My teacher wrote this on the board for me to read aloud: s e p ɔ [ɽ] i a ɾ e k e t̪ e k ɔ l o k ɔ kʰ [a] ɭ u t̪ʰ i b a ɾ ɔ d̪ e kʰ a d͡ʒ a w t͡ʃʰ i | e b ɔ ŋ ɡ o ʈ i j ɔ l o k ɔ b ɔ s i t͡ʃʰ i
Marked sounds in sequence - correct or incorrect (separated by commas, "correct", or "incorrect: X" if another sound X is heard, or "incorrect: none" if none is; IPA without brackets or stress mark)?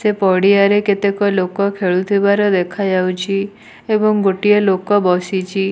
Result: correct, incorrect: e